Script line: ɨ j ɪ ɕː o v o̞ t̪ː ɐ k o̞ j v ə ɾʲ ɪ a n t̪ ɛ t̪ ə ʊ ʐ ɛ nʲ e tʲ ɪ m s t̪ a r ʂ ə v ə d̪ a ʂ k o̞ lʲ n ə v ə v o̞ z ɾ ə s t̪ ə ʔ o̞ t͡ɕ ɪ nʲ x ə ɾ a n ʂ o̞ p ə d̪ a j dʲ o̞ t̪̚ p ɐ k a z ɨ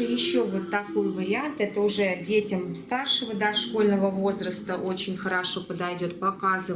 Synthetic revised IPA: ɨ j ɪ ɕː o v o̞ t̪ː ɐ k o̞ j v ə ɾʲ ɪ a n t̪ ɛ t̪ ə ʊ ʐ ɛ dʲ e tʲ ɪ m s t̪ a r ʂ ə v ə d̪ a ʂ k o̞ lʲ n ə v ə v o̞ z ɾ ə s t̪ ə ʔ o̞ t͡ɕ ɪ nʲ x ə ɾ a ʂ o̞ p ə d̪ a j dʲ o̞ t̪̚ p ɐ k a z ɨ